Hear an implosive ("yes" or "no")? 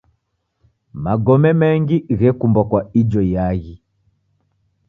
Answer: no